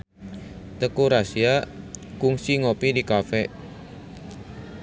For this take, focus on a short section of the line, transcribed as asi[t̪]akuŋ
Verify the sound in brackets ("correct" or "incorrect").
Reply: incorrect